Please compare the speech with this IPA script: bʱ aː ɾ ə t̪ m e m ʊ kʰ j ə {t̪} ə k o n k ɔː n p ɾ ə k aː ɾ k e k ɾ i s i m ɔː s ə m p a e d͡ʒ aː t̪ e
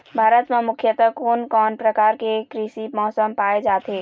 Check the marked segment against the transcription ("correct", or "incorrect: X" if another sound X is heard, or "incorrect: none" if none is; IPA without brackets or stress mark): correct